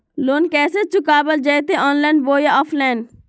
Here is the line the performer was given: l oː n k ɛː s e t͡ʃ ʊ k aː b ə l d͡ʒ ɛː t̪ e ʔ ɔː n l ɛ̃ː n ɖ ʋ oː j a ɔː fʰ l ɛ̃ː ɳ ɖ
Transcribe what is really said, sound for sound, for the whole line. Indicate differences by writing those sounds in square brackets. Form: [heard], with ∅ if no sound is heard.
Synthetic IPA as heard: l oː n k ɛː s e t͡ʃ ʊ k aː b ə l d͡ʒ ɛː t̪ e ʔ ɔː n l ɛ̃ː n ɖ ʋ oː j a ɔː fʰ l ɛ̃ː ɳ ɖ